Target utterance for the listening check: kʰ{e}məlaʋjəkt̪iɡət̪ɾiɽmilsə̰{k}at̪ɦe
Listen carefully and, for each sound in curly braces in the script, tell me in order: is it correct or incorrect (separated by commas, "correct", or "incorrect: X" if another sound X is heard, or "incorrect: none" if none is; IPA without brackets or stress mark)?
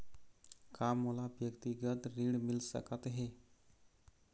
incorrect: a, correct